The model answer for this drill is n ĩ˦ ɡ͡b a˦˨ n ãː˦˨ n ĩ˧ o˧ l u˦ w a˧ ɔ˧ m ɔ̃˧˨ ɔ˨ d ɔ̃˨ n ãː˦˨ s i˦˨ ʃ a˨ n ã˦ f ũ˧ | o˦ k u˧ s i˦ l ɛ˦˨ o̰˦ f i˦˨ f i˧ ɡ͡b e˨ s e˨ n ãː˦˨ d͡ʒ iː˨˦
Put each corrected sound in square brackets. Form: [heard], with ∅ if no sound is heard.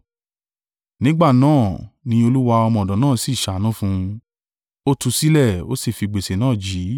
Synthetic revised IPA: n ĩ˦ ɡ͡b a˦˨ n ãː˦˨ n ĩ˧ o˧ l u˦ w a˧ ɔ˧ m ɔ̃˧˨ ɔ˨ d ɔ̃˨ n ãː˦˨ s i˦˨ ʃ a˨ n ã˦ f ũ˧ | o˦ [t] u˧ s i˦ l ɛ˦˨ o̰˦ [s] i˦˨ f i˧ ɡ͡b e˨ s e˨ n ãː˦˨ d͡ʒ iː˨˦